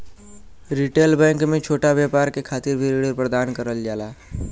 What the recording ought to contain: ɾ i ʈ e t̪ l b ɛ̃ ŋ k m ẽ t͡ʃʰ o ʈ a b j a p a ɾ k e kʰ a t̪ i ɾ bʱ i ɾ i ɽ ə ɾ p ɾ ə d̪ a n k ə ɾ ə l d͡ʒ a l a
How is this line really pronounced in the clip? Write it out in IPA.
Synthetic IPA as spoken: ɾ i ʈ e l b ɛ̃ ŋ k m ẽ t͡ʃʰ o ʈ a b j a p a ɾ k e kʰ a t̪ i ɾ bʱ i ɾ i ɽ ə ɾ p ɾ ə d̪ a n k ə ɾ ə l d͡ʒ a l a